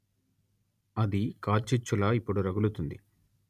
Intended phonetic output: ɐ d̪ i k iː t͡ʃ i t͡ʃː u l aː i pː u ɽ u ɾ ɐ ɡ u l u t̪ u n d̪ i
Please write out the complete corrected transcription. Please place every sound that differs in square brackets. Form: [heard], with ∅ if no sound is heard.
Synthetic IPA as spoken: ɐ d̪ i k [aː] t͡ʃ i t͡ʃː u l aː i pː u ɽ u ɾ ɐ ɡ u l u t̪ u n d̪ i